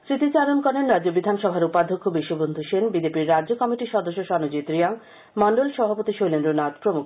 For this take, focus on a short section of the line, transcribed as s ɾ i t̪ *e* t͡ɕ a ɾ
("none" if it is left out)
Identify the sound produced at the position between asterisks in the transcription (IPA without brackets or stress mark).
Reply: i